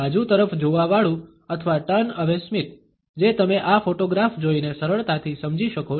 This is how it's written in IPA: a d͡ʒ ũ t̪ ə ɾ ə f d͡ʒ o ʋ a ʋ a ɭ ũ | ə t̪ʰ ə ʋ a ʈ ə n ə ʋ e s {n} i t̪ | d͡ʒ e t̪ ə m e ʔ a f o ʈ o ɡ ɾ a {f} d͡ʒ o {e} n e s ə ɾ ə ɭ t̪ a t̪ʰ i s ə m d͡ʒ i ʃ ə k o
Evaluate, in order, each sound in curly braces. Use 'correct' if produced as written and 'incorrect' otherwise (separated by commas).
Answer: incorrect, correct, incorrect